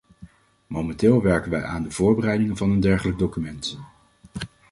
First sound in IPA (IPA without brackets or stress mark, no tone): m